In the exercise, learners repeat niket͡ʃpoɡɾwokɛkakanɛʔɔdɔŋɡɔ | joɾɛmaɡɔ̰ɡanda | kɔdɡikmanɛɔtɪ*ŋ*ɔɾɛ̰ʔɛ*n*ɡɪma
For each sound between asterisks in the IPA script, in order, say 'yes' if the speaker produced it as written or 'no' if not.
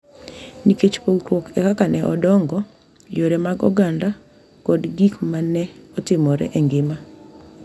no, no

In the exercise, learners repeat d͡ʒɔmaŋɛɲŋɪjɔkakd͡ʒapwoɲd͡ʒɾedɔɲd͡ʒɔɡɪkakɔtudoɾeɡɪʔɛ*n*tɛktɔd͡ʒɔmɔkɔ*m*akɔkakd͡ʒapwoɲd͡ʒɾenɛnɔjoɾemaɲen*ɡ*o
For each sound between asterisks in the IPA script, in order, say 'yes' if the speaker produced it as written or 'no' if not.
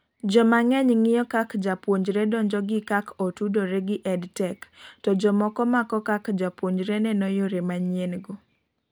no, yes, yes

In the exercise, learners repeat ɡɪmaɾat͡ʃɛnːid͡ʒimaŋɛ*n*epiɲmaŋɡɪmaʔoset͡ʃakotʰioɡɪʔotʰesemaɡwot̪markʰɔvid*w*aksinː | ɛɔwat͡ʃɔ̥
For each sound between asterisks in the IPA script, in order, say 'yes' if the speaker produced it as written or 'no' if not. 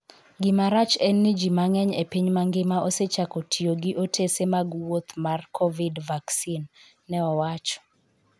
no, no

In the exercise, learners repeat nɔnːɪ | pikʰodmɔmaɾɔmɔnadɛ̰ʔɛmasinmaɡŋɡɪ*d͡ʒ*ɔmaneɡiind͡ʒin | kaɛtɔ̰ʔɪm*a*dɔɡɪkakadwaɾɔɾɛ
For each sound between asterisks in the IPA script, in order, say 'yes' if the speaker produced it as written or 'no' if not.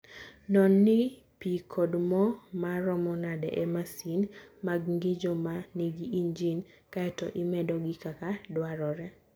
yes, no

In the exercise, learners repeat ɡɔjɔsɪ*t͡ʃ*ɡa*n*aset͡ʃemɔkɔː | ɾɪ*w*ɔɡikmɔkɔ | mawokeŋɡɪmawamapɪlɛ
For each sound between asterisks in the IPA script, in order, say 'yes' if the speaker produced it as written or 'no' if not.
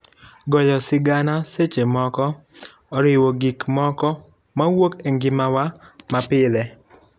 no, yes, yes

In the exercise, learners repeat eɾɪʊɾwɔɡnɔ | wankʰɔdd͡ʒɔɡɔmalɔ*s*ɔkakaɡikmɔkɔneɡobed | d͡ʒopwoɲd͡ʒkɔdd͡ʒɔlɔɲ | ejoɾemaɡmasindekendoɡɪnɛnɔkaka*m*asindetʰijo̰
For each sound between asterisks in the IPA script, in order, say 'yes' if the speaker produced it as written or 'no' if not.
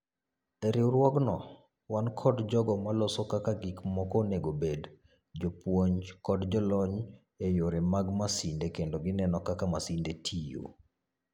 yes, yes

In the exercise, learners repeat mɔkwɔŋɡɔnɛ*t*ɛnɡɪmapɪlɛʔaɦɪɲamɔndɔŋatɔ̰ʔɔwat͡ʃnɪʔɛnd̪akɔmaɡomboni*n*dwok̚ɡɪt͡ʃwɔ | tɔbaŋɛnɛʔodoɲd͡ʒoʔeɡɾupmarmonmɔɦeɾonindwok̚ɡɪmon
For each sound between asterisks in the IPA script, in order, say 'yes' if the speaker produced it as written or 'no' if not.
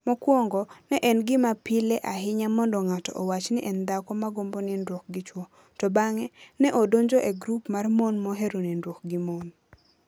no, yes

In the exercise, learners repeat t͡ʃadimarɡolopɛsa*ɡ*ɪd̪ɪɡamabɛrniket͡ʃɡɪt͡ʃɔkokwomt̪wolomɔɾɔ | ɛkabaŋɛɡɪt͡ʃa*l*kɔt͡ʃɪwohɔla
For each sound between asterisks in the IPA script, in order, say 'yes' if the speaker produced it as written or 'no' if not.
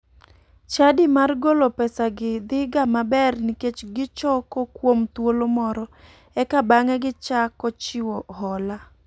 yes, no

